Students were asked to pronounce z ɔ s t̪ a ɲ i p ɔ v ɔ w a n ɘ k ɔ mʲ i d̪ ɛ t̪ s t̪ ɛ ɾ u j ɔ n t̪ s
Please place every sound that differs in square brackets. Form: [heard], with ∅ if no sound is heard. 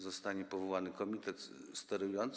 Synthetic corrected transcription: z ɔ s t̪ a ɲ [ɛ] p ɔ v ɔ w a n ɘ k ɔ mʲ i [t̪] ɛ t̪ s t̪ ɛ ɾ u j ɔ n t̪ s